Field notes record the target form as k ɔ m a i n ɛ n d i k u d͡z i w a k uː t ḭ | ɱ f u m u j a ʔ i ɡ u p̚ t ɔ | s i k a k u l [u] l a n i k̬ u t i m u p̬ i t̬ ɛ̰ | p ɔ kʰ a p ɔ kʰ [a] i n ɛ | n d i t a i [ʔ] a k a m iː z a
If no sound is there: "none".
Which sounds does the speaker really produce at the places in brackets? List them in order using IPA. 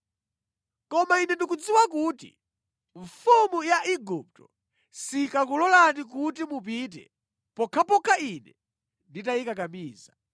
ɔ, a, k

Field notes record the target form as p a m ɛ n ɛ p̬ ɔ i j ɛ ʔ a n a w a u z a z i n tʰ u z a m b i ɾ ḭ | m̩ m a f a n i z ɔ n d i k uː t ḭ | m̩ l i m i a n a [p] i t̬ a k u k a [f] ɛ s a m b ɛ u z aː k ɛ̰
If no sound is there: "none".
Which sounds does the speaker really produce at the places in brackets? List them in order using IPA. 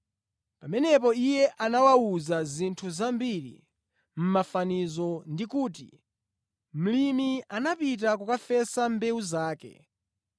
p, f

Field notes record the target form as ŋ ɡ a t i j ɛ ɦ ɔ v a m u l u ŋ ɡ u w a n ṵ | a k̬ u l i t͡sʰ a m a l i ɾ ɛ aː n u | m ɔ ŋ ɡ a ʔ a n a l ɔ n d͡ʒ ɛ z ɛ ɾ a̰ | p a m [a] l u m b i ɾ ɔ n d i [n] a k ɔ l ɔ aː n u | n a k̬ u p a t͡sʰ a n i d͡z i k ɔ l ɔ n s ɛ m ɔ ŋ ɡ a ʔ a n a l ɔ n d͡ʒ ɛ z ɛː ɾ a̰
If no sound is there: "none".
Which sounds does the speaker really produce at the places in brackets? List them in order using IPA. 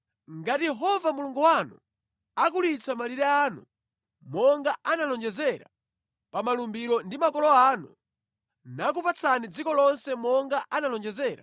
a, m

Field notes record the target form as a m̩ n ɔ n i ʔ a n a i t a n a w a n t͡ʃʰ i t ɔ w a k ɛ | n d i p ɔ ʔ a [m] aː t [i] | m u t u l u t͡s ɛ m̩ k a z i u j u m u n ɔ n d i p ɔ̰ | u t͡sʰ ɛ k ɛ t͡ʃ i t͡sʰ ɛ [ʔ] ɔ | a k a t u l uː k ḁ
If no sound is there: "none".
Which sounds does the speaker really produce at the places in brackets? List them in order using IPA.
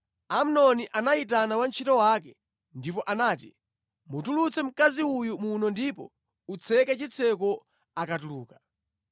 n, i, k

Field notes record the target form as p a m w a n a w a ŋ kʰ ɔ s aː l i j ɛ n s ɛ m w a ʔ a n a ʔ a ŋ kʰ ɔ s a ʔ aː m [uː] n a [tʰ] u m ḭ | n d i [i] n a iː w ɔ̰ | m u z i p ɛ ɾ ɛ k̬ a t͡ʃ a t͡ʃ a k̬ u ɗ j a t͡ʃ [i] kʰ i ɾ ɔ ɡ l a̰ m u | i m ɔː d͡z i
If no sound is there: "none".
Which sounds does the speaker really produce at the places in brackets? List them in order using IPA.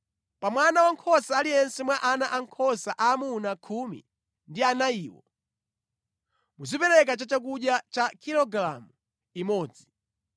u, kʰ, a, a

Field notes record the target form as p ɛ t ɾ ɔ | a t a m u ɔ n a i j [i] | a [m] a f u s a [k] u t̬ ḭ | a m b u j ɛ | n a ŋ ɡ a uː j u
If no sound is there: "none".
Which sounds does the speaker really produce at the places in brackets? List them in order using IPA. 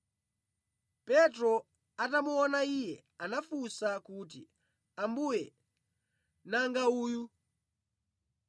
ɛ, n, k

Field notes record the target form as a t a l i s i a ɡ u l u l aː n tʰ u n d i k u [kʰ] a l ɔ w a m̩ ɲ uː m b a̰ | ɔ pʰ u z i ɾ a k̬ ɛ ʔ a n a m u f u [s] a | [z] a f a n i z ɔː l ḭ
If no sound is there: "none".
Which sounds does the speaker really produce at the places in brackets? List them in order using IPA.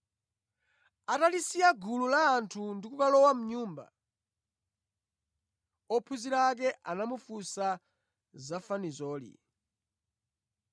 k, s, z

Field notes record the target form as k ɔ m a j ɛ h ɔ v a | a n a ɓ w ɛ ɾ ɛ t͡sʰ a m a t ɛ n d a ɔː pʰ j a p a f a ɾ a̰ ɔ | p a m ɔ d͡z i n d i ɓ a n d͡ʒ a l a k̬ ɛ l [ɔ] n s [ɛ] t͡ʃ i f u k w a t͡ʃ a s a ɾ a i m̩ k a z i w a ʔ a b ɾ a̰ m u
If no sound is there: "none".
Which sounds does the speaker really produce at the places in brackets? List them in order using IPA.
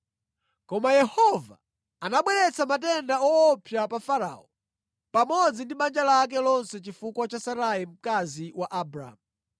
ɔ, ɛ

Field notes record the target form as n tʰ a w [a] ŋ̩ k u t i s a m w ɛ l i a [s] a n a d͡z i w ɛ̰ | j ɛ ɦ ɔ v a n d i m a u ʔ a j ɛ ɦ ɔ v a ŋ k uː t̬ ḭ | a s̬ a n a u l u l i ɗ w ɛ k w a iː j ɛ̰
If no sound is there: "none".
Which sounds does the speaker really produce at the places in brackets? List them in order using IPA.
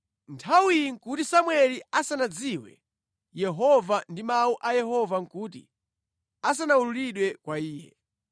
i, s

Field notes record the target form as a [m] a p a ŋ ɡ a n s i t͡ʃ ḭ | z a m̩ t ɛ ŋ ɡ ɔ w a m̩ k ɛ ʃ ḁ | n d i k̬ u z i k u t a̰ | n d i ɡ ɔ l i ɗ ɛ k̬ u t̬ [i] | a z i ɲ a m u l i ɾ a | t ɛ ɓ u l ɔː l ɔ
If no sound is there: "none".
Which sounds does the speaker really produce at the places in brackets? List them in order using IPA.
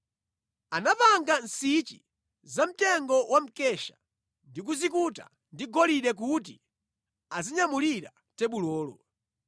n, i

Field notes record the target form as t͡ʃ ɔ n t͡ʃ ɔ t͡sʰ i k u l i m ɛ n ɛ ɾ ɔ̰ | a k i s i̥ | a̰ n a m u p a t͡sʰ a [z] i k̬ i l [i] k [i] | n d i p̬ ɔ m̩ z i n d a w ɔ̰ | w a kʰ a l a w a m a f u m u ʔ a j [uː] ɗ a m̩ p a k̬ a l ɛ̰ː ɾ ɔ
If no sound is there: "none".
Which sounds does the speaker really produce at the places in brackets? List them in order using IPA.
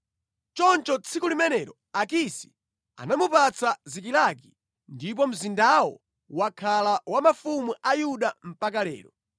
z, a, i, u

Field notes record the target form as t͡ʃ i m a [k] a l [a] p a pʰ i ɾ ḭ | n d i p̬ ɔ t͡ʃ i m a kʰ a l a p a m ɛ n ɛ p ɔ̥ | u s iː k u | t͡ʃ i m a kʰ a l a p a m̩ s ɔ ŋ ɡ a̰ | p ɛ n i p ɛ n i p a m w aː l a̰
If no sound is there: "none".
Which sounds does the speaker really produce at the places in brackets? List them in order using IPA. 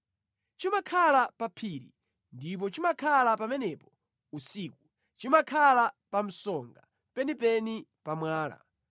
kʰ, a

